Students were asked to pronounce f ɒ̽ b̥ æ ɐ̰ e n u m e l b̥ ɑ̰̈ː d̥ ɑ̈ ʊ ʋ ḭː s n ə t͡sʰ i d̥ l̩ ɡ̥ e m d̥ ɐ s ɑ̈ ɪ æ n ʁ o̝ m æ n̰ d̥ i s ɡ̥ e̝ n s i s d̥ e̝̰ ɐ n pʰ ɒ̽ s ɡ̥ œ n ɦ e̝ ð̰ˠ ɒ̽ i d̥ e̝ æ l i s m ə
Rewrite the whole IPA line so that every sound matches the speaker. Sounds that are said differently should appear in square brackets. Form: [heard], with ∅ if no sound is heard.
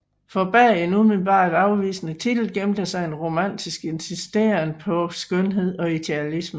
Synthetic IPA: f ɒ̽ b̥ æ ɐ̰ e n u m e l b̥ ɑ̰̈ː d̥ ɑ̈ ʊ ʋ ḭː s n ə t͡sʰ i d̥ l̩ ɡ̥ e m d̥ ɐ s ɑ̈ ɪ [e] n ʁ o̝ m æ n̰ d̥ i s ɡ̥ e̝ n s i s d̥ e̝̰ ɐ n pʰ ɒ̽ s ɡ̥ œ n ɦ e̝ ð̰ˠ ɒ̽ i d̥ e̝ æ l i s m ə